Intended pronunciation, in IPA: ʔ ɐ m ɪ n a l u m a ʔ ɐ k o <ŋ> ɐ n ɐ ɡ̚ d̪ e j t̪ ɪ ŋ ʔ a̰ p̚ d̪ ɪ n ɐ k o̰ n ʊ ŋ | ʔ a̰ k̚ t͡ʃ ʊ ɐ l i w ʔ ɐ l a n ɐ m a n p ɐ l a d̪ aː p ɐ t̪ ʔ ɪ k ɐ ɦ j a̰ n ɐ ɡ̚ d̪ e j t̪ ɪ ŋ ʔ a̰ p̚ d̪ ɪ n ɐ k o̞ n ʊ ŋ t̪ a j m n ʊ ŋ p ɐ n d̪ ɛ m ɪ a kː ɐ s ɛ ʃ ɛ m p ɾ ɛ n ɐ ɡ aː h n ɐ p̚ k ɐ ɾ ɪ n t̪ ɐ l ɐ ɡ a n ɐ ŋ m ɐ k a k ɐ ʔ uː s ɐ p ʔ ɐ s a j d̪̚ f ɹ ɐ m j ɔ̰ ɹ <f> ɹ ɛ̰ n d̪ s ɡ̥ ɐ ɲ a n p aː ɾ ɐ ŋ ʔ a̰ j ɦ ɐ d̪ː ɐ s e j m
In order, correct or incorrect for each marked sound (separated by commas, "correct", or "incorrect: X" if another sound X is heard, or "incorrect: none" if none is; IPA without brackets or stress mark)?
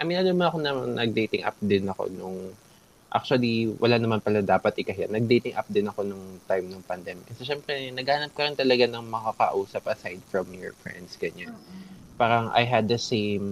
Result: incorrect: n, correct